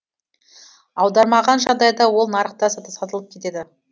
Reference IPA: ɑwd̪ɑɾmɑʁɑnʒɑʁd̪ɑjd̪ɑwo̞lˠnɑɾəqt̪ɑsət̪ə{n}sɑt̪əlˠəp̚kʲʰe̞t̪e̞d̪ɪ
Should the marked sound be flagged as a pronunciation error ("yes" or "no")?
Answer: yes